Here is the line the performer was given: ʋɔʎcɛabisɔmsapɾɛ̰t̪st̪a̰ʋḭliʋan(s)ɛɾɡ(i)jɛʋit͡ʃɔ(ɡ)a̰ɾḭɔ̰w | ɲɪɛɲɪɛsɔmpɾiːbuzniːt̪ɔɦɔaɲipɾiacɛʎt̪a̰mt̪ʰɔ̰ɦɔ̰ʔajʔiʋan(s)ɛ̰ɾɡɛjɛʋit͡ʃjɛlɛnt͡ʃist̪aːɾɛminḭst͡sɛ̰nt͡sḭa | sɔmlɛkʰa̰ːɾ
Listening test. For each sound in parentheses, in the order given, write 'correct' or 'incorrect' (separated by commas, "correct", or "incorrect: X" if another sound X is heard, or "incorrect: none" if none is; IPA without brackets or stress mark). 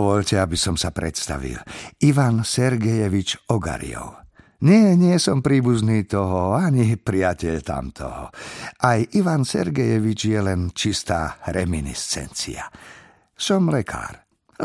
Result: correct, incorrect: ɛ, correct, correct